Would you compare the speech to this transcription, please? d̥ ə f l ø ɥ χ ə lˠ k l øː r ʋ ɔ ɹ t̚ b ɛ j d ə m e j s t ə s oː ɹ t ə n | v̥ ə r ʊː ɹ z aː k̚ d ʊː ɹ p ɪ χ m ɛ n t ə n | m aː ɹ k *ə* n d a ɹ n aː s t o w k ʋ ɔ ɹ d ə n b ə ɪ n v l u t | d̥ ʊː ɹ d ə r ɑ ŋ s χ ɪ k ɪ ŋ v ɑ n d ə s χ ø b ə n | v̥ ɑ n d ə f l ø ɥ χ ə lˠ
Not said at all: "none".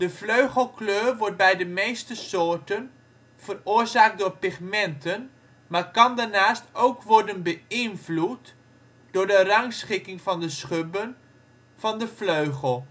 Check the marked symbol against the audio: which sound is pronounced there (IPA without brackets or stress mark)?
ɑ